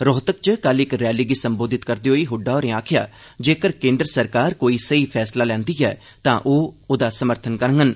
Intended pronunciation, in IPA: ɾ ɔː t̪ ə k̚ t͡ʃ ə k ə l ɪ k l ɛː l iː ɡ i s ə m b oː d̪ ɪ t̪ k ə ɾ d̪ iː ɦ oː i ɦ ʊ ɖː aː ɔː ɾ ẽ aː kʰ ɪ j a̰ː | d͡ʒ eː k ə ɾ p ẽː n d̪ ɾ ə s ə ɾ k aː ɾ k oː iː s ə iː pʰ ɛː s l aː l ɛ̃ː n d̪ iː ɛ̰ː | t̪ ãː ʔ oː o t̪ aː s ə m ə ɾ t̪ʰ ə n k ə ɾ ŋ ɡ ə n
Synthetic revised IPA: ɾ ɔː t̪ ə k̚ t͡ʃ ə k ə l ɪ k ɾ ɛː l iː ɡ i s ə m b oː d̪ ɪ t̪ k ə ɾ d̪ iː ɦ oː i ɦ ʊ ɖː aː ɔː ɾ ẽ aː kʰ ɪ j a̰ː | d͡ʒ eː k ə ɾ k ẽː n d̪ ɾ ə s ə ɾ k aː ɾ k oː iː s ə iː pʰ ɛː s l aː l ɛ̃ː n d̪ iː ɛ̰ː | t̪ ãː ʔ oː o d̪ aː s ə m ə ɾ t̪ʰ ə n k ə ɾ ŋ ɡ ə n

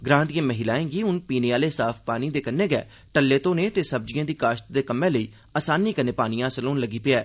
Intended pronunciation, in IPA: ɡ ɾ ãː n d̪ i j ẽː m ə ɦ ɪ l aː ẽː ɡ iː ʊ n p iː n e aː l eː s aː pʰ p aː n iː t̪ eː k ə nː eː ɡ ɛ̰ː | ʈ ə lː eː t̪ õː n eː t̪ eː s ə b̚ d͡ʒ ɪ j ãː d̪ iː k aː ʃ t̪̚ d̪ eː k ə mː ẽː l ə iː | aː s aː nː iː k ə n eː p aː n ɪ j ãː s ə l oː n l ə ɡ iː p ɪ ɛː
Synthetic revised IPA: ɡ ɾ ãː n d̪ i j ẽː m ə ɦ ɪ l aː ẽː ɡ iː ʊ n p iː n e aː l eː s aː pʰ p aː n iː d̪ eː k ə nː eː ɡ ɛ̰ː | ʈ ə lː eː t̪ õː n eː t̪ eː s ə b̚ d͡ʒ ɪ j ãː d̪ iː k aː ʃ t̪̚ d̪ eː k ə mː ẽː l ə iː | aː s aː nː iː k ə n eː p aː n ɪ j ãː s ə l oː n l ə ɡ iː p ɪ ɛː

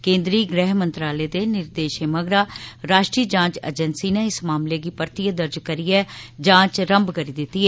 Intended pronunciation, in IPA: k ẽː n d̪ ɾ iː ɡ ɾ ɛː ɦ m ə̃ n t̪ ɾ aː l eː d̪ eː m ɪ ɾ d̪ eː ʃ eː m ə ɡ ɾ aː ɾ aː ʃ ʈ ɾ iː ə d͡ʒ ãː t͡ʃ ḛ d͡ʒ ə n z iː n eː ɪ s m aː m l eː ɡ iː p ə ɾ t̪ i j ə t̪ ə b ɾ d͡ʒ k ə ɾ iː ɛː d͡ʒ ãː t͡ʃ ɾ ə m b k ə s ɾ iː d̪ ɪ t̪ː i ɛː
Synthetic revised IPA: k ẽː n d̪ ɾ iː ɡ ɾ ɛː ɦ m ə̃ n t̪ ɾ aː l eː d̪ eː n ɪ ɾ d̪ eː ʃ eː m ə ɡ ɾ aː ɾ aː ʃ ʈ ɾ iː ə d͡ʒ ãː t͡ʃ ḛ d͡ʒ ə n s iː n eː ɪ s m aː m l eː ɡ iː p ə ɾ t̪ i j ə d̪ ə ɾ d͡ʒ k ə ɾ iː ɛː d͡ʒ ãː t͡ʃ ɾ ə m b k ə ɾ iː d̪ ɪ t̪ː i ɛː

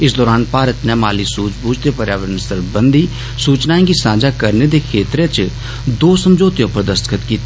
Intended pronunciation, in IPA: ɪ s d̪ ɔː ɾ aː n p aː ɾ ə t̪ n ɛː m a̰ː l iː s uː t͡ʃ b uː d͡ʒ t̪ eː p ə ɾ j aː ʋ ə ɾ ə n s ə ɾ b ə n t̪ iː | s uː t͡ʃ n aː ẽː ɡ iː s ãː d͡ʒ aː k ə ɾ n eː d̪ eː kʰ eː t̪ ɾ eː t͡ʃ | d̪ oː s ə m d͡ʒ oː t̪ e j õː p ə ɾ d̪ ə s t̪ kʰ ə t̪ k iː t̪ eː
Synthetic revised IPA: ɪ s d̪ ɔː ɾ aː n p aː ɾ ə t̪ n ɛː m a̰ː l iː s uː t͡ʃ b uː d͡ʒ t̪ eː p ə ɾ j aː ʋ ə ɾ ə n s ə ɾ b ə n d̪ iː | s uː t͡ʃ n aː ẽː ɡ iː s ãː d͡ʒ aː k ə ɾ n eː d̪ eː kʰ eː t̪ ɾ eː t͡ʃ | d̪ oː s ə m d͡ʒ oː t̪ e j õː p ə ɾ d̪ ə s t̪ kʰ ə t̪ k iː t̪ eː

